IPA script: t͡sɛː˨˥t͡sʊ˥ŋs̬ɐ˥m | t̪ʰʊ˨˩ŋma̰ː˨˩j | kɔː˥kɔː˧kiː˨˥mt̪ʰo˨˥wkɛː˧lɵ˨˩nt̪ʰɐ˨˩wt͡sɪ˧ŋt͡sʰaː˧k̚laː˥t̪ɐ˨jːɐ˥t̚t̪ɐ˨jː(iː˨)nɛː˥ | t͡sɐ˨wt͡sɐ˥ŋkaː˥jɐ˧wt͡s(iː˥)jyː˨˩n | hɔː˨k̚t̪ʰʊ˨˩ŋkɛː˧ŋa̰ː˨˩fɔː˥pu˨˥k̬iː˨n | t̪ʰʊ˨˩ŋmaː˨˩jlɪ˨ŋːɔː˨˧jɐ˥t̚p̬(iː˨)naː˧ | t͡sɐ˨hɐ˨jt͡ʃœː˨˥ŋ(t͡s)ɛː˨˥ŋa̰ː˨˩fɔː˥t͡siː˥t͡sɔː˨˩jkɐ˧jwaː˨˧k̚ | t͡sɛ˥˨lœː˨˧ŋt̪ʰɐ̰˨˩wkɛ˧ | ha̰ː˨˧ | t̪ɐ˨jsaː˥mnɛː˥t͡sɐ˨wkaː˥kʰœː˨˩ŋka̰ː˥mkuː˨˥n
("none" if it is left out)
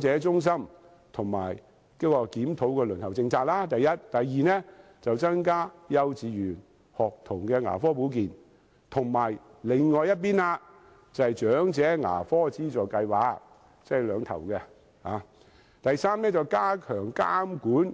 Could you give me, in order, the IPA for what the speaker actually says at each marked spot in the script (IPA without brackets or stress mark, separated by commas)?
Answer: iː˨, iː˨˧, iː˥, t͡s